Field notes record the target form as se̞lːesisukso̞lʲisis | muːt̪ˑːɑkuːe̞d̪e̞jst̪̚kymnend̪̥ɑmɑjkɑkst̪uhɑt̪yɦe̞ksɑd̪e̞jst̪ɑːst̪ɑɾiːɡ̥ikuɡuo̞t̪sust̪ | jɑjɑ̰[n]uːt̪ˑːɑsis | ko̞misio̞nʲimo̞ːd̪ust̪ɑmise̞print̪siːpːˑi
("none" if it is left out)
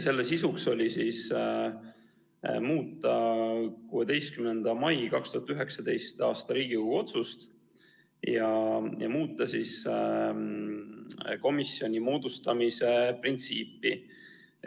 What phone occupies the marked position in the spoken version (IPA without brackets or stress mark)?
m